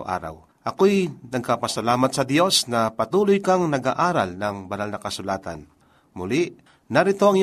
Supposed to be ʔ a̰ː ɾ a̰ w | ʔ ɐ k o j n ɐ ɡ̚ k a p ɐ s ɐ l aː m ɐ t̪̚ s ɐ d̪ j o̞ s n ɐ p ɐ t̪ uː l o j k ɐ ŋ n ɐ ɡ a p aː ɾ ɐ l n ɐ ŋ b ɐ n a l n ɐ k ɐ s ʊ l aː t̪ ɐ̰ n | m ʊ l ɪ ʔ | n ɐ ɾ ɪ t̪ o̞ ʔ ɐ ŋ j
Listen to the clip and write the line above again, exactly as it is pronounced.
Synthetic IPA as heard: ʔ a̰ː ɾ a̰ w | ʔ ɐ k o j n ɐ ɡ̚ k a p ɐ s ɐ l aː m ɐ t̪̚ s ɐ d̪ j o̞ s n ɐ p ɐ t̪ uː l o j k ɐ ŋ n ɐ ɡ a ʔ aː ɾ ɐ l n ɐ ŋ b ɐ n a l n ɐ k ɐ s ʊ l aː t̪ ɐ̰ n | m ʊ l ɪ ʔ | n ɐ ɾ ɪ t̪ o̞ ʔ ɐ ŋ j